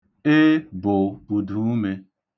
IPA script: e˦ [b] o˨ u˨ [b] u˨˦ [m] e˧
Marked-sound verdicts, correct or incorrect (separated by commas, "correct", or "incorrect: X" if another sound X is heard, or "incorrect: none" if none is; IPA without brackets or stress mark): correct, incorrect: d, correct